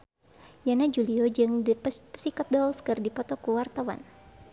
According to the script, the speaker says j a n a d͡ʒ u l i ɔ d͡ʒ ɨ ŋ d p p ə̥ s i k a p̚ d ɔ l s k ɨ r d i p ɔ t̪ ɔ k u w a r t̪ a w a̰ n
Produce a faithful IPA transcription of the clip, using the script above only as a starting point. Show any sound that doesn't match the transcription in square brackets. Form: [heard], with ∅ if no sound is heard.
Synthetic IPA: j a n a d͡ʒ u l i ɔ d͡ʒ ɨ ŋ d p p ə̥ s i k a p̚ d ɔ l s k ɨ r d i p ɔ t̪ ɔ k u w a r t̪ a w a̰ n